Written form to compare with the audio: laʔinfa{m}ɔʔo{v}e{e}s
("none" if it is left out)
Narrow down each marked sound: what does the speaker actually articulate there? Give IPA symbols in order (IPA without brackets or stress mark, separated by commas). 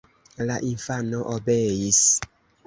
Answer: n, b, i